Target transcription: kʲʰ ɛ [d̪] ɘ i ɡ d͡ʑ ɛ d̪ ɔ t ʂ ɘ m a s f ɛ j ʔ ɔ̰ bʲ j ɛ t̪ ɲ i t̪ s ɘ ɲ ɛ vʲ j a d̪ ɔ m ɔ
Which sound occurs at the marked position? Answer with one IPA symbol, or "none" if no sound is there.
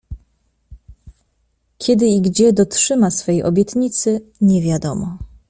d̪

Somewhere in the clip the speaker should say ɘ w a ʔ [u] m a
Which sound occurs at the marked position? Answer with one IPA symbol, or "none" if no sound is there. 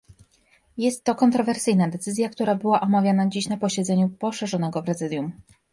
ɔ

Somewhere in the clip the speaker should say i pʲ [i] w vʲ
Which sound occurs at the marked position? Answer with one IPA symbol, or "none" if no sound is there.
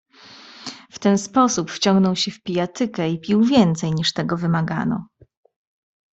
i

